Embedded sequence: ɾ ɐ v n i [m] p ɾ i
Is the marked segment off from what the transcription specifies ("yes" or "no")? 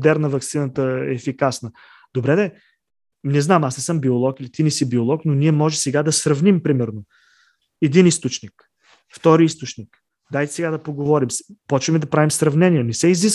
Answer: no